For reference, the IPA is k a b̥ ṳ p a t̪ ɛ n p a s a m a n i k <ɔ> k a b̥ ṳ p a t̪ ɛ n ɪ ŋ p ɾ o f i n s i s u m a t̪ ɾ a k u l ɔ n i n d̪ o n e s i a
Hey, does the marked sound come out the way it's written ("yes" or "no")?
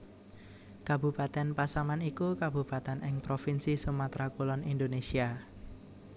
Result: no